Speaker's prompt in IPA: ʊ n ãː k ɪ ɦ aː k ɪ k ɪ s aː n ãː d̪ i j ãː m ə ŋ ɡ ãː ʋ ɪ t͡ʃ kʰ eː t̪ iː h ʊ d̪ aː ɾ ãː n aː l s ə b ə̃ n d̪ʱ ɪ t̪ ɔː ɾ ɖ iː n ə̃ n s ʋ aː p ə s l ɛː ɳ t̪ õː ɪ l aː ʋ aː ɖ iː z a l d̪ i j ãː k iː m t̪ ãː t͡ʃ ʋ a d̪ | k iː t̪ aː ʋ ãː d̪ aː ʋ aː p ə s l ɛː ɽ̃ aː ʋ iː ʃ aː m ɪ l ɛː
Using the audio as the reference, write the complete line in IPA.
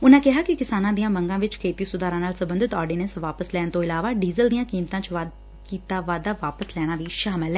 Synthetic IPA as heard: ʊ n ãː k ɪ ɦ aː k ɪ k ɪ s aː n ãː d̪ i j ãː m ə ŋ ɡ ãː ʋ ɪ t͡ʃ kʰ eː t̪ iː s ʊ d̪ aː ɾ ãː n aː l s ə b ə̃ n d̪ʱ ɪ t̪ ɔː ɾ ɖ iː n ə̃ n s ʋ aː p ə s l ɛː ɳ t̪ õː ɪ l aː ʋ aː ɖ iː z ə l d̪ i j ãː k iː m t̪ ãː t͡ʃ ʋ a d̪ | k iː t̪ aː ʋ aː d̪ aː ʋ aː p ə s l ɛː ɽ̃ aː ʋ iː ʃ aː m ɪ l ɛː